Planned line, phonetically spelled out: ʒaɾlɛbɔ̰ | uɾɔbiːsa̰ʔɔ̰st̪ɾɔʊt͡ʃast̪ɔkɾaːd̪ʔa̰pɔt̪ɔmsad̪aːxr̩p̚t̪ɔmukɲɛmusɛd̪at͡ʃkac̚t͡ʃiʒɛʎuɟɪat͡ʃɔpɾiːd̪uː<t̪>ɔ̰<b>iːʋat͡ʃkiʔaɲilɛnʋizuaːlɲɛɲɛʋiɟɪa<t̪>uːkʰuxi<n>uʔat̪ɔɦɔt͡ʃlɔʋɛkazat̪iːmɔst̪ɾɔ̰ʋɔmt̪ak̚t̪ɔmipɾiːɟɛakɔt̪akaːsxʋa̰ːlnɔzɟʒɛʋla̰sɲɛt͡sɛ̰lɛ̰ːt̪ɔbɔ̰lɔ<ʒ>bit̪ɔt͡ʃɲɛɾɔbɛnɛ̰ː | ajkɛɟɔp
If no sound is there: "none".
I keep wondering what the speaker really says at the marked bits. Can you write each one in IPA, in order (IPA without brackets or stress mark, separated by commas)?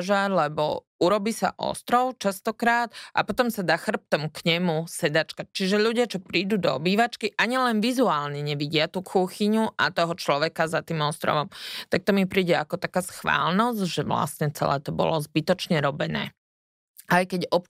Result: d̪, b, t̪, ɲ, z